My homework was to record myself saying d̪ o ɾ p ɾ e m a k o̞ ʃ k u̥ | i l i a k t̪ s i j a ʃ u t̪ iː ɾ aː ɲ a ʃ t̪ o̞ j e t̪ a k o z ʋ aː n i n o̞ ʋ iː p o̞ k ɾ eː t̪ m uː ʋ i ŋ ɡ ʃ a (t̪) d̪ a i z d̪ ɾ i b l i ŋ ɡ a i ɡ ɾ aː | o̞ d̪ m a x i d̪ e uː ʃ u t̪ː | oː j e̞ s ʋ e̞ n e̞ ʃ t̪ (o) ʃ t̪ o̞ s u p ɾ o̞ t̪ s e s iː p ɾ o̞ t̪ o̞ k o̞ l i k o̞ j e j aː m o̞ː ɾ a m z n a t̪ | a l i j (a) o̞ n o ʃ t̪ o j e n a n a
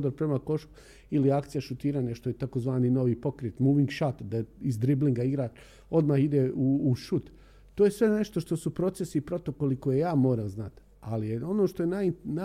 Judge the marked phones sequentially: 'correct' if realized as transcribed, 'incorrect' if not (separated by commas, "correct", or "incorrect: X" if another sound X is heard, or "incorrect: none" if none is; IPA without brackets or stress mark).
correct, correct, incorrect: e